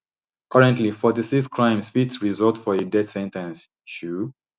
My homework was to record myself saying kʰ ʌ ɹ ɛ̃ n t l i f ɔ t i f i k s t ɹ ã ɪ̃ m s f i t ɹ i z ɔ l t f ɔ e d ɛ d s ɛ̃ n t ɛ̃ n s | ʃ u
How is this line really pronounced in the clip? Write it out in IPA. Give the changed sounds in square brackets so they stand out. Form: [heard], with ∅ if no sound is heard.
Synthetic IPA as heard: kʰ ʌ ɹ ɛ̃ n t l i f ɔ t i [s] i k s [k] ɹ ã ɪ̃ m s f i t ɹ i z ɔ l t f ɔ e d ɛ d s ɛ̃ n t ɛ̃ n s | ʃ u